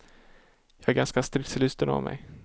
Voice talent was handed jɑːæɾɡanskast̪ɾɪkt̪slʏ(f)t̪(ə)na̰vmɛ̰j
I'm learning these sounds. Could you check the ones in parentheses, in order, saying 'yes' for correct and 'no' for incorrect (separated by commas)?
no, yes